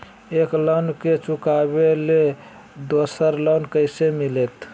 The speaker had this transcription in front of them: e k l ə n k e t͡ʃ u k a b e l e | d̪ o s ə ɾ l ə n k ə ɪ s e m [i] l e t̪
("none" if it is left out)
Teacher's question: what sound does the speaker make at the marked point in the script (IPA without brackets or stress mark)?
i